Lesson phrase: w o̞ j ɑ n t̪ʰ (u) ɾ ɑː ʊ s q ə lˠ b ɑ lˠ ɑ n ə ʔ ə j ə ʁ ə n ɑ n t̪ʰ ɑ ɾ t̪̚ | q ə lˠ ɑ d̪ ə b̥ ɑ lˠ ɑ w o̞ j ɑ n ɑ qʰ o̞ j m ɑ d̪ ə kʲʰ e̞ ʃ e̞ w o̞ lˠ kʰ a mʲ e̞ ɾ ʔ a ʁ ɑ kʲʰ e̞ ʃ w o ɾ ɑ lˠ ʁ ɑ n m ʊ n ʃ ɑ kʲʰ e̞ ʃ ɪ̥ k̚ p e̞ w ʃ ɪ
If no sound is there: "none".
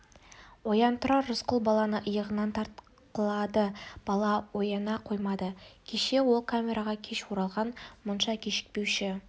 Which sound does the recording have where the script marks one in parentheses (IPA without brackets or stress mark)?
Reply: ʊ